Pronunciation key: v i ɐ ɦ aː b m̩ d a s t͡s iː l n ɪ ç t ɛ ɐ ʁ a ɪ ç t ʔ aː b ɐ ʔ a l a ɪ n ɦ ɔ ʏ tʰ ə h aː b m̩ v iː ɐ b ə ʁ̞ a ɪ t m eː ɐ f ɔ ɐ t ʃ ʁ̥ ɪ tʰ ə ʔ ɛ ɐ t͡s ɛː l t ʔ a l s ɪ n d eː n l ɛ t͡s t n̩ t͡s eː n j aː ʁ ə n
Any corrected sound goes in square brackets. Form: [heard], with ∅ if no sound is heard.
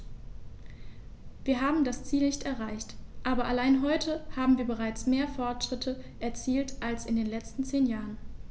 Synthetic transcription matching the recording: v [iː] ɐ ɦ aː b m̩ d a s t͡s iː l n ɪ ç t ɛ ɐ ʁ a ɪ ç t ʔ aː b ɐ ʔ a l a ɪ n ɦ ɔ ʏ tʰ ə h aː b m̩ v iː ɐ b ə ʁ̞ a ɪ [t͡s] m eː ɐ f ɔ ɐ t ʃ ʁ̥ ɪ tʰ ə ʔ ɛ ɐ t͡s [iː] l t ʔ a l s ɪ n d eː n l ɛ t͡s t n̩ t͡s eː n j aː ʁ ə n